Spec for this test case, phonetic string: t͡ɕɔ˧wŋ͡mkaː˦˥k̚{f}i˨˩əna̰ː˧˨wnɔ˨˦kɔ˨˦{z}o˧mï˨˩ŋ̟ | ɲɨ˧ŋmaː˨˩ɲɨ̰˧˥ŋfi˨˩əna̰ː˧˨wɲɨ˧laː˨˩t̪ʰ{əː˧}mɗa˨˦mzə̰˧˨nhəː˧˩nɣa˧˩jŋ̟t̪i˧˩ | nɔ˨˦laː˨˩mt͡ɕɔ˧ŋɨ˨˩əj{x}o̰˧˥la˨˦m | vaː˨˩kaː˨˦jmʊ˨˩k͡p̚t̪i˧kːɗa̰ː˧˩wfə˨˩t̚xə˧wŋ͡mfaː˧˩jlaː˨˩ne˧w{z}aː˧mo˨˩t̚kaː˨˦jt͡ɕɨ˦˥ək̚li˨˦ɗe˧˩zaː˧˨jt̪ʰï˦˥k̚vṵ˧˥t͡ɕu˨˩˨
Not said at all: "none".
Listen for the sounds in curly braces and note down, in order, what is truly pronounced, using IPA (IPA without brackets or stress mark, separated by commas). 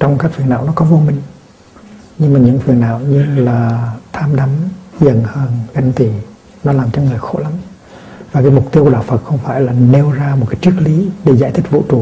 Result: f, v, aː˧, x, z